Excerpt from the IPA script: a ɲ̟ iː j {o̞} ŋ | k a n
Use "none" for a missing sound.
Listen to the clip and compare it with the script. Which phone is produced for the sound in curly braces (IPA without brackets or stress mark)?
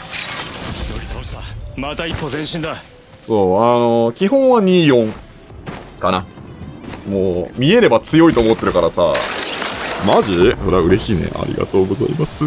õ̞